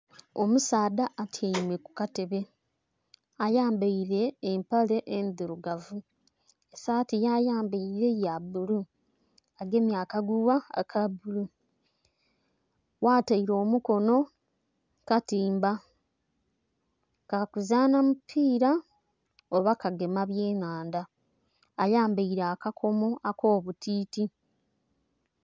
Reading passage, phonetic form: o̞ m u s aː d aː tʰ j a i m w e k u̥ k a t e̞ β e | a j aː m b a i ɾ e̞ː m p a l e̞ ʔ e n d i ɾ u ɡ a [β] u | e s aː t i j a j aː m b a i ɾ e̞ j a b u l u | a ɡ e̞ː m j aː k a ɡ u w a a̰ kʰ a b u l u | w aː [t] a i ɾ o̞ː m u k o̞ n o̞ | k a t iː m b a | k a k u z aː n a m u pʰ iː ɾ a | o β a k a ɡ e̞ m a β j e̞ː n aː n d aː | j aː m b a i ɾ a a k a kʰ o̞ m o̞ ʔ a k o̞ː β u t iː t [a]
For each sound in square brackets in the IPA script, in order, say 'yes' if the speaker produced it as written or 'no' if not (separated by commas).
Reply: no, yes, no